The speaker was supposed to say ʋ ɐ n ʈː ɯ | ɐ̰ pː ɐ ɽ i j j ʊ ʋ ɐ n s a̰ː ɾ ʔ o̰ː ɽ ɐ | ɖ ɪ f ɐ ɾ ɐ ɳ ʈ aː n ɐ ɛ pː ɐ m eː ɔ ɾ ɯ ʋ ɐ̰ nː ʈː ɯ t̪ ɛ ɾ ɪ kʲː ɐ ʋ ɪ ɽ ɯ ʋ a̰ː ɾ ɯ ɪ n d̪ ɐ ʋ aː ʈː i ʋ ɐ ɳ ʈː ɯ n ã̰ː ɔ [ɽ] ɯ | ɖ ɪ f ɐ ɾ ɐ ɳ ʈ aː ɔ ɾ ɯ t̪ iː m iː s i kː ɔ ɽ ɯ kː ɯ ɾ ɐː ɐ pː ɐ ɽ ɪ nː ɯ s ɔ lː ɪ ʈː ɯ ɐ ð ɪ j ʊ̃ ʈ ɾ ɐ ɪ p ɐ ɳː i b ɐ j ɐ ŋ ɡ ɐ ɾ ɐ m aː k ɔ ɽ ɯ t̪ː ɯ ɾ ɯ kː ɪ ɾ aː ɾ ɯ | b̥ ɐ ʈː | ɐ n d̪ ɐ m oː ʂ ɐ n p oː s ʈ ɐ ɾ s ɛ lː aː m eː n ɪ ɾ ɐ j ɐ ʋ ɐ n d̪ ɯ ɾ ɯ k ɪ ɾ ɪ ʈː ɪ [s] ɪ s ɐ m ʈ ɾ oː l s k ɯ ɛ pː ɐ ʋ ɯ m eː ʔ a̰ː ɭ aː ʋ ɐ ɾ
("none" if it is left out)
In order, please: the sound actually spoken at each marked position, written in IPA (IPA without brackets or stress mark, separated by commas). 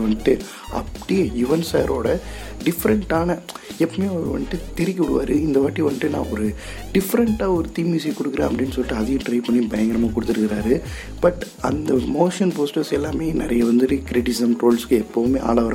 ɾ, s